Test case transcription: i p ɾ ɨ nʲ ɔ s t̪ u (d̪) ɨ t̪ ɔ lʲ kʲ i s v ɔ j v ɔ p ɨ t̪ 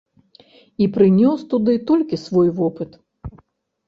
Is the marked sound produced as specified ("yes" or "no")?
yes